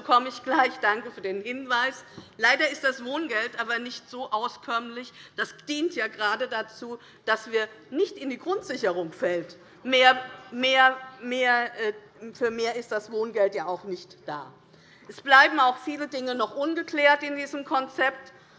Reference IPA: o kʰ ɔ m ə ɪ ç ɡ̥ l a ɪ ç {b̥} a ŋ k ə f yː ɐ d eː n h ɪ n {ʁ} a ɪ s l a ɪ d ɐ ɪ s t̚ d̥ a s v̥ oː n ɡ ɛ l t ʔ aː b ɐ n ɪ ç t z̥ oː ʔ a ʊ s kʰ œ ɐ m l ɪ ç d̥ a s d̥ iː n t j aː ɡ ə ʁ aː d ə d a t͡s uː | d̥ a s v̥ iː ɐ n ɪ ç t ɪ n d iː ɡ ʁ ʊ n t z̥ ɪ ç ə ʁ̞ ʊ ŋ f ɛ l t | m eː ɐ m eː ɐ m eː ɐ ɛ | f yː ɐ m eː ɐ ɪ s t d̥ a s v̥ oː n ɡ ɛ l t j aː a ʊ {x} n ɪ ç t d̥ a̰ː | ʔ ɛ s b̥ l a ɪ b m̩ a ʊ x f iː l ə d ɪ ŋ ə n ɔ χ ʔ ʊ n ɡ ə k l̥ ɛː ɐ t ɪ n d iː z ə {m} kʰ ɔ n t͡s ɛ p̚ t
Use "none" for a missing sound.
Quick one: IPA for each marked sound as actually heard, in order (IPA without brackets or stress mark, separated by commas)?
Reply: d̥, v, x, m